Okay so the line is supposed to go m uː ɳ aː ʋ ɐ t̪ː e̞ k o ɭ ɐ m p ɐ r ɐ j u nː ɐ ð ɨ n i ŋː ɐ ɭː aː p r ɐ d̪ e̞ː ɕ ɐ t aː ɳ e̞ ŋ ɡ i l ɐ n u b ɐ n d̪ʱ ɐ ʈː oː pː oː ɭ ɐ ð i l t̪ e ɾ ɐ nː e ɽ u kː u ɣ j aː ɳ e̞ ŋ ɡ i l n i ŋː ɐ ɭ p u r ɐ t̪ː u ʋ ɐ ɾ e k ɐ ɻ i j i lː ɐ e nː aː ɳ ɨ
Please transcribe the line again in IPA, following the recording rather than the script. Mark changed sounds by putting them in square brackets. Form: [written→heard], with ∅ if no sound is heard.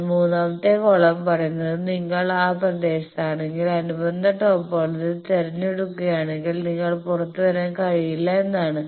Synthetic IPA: m uː [ɳ→n] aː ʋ ɐ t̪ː e̞ k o ɭ ɐ m p ɐ r ɐ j u nː ɐ ð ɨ n i ŋː ɐ [ɭː→ɭ] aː p r ɐ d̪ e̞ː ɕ ɐ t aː ɳ e̞ ŋ ɡ i l ɐ n u b ɐ n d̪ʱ ɐ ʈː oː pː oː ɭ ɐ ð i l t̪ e ɾ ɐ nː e ɽ u kː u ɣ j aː ɳ e̞ ŋ ɡ i l n i ŋː ɐ ɭ p u r ɐ t̪ː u ʋ ɐ ɾ e k ɐ ɻ i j i lː ɐ e nː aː ɳ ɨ